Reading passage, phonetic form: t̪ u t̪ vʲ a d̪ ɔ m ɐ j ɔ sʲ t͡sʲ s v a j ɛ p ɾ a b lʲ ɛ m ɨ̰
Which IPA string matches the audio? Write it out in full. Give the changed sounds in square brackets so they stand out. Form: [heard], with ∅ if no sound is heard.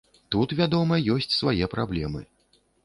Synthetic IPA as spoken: t̪ u t̪ vʲ a d̪ ɔ m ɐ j ɔ sʲ t͡sʲ s v a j ɛ p ɾ a b lʲ ɛ m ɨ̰